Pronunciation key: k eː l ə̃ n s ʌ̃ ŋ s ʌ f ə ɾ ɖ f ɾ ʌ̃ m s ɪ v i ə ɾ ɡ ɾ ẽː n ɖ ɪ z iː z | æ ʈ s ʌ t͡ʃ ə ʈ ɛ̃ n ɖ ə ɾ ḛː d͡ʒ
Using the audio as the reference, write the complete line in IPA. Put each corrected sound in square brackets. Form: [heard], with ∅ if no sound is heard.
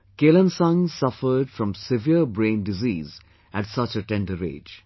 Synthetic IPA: k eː l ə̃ n s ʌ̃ ŋ s ʌ f ə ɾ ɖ f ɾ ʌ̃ m s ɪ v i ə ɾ [b] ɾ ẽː n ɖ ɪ z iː z | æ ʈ s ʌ t͡ʃ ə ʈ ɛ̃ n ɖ ə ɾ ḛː d͡ʒ